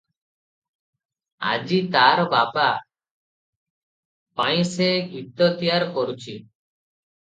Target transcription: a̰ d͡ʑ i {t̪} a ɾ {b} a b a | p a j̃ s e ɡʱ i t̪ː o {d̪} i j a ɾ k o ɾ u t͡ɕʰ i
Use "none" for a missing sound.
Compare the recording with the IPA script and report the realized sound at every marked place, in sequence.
t̪, b, t̪

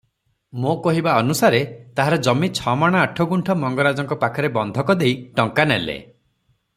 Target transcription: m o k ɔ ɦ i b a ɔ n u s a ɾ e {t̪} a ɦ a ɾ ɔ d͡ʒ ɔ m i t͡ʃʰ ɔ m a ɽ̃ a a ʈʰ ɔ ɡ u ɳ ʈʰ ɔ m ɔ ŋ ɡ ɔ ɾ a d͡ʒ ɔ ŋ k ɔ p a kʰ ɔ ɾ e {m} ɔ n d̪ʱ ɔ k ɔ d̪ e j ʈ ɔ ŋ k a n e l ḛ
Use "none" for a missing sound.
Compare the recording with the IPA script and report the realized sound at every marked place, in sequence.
t̪, b

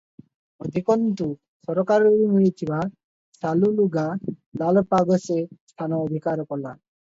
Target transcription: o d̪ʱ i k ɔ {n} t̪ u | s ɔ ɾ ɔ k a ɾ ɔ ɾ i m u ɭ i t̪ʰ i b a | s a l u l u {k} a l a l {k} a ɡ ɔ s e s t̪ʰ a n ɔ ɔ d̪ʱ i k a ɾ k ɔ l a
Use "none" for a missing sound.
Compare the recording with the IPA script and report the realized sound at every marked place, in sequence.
n, ɡ, p

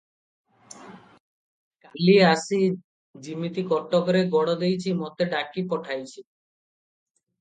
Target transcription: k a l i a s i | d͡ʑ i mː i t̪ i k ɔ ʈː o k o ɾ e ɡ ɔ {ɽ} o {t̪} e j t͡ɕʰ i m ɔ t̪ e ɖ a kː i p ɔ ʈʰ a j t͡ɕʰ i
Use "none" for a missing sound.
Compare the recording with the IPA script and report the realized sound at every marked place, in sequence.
ɽ, d̪

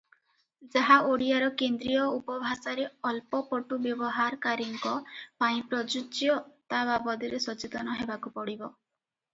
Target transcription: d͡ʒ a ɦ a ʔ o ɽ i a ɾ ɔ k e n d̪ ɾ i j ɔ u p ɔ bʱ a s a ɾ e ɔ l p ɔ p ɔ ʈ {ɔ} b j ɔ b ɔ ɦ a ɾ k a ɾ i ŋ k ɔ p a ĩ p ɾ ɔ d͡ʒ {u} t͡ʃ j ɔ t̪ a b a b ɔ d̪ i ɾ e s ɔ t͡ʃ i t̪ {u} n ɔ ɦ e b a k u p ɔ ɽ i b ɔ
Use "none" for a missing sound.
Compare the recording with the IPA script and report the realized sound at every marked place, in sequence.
u, u, ɔ

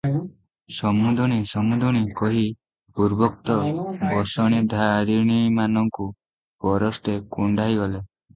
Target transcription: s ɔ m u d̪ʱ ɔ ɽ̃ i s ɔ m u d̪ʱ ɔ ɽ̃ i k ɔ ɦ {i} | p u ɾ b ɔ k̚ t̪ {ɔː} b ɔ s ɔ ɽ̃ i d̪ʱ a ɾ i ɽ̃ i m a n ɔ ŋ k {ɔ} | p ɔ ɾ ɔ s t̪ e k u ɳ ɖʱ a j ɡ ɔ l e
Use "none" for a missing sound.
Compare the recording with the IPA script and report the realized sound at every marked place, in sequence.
i, ɔ, u

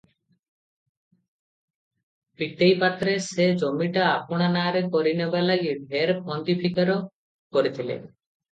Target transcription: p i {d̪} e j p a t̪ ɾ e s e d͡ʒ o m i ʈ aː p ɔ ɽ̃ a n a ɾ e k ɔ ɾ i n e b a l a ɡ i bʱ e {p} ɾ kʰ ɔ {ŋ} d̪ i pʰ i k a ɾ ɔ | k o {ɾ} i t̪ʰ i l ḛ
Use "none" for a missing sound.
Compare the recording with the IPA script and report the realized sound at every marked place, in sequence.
t̪, none, n, ɾ

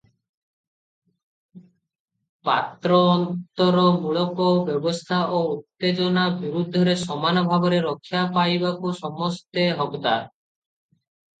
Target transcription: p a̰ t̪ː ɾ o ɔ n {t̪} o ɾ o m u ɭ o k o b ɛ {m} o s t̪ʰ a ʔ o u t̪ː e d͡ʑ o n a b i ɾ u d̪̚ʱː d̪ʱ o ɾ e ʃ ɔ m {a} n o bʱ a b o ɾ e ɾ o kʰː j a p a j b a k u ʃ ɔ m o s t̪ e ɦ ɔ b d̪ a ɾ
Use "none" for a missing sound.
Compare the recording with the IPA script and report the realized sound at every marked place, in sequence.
t̪, b, a

